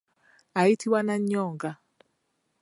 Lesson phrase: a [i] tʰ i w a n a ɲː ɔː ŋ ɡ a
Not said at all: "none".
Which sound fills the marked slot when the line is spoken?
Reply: i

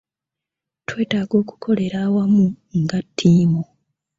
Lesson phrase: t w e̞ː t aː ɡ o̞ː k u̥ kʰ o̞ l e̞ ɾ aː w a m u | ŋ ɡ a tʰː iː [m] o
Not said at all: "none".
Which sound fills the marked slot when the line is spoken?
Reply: m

